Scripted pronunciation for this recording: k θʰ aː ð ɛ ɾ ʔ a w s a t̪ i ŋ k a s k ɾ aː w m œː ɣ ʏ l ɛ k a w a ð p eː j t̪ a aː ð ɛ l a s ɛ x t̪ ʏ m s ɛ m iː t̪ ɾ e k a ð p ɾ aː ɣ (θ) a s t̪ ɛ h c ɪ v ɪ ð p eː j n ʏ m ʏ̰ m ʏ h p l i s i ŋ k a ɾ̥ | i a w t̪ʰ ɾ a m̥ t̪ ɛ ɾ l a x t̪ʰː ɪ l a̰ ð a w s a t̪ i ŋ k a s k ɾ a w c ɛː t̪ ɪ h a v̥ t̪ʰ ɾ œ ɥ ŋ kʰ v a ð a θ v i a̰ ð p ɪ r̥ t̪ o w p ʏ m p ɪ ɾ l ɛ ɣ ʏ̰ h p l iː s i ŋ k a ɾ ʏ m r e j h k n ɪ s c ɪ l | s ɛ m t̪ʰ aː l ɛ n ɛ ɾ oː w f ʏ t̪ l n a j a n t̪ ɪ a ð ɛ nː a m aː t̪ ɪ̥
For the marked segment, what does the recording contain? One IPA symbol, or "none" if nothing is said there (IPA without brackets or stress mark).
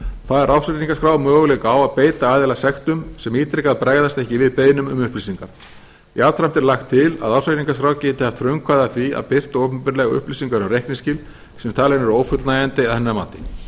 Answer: ð